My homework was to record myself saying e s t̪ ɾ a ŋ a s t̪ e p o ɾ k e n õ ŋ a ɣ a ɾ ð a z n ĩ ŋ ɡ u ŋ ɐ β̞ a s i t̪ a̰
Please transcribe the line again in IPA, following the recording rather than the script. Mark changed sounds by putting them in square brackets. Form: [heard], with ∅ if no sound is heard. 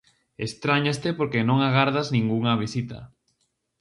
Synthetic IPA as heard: e s t̪ ɾ a [ɲ] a s t̪ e p o ɾ k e n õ ŋ a ɣ a ɾ ð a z n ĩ ŋ ɡ u ŋ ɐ β̞ [i] s i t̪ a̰